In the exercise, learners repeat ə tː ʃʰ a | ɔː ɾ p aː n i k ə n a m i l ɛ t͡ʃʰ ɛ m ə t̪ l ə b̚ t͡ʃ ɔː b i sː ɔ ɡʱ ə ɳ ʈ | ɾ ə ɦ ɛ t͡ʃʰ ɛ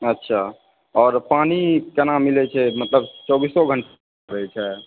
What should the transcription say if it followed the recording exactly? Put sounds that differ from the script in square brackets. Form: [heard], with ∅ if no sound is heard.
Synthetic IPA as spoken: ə tː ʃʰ a | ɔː ɾ p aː n i k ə n a m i l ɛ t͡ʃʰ ɛ m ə t̪ l ə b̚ t͡ʃ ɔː b i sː ɔ ɡʱ ə ɳ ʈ | ɾ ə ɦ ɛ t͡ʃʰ ɛ